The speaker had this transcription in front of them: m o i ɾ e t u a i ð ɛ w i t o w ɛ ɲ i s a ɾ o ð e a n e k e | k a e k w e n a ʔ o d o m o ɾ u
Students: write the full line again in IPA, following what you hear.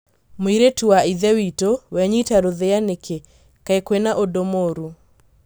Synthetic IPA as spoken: m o i ɾ e t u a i ð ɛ w i t o w ɛ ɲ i t a ɾ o ð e a n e k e | k a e k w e n a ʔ o d o m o ɾ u